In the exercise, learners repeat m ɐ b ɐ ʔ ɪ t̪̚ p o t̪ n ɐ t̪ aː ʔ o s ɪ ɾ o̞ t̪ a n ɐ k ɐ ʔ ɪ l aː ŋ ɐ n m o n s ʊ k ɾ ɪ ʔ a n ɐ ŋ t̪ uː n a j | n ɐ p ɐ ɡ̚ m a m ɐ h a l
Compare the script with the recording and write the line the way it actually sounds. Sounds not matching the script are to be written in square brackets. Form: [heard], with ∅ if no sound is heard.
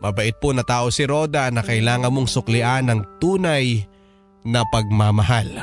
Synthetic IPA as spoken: m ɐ b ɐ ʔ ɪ t̪̚ p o [∅] n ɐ t̪ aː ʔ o s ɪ ɾ o̞ [d̪] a n ɐ k ɐ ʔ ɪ l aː ŋ ɐ n m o [ŋ] s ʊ k [l] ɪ ʔ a n ɐ ŋ t̪ uː n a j | n ɐ p ɐ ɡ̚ m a m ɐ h a l